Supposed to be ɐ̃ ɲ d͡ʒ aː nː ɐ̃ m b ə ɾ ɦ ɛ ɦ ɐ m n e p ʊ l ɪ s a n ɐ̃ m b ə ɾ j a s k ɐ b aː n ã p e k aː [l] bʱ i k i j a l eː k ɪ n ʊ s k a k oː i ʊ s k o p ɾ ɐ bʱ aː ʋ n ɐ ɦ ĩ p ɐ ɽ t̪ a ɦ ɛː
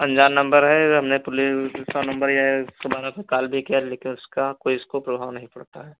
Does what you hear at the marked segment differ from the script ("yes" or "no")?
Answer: no